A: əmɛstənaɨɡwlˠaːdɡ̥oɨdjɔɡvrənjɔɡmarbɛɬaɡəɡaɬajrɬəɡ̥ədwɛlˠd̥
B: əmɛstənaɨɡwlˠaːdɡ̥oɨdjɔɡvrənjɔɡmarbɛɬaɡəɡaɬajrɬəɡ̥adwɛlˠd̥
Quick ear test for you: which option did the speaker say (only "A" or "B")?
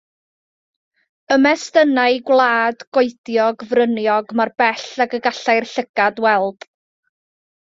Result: B